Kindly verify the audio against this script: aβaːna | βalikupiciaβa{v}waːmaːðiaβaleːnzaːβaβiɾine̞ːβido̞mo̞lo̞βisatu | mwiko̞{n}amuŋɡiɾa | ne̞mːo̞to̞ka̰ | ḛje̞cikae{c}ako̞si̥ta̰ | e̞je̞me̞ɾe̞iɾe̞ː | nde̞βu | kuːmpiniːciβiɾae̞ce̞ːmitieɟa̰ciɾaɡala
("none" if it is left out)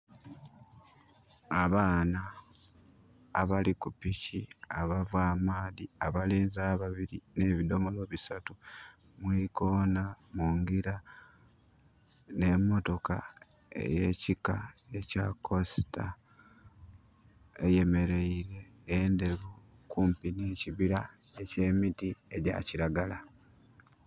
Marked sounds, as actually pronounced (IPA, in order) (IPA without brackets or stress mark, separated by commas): v, n, c